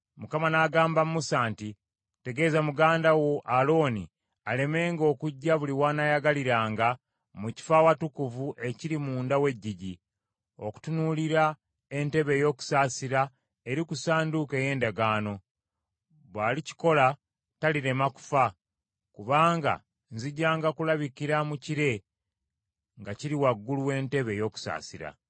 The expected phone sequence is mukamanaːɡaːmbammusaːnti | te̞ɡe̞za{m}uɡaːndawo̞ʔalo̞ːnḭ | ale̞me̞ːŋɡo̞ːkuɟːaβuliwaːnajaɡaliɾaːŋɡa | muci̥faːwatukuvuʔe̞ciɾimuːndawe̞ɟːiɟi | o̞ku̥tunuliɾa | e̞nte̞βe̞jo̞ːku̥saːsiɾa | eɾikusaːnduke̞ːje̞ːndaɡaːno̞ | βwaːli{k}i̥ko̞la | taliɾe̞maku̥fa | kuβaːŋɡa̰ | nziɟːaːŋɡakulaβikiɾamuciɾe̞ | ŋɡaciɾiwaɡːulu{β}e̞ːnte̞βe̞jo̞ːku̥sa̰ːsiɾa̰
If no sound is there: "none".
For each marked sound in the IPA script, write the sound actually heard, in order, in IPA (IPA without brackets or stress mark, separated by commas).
m, c, w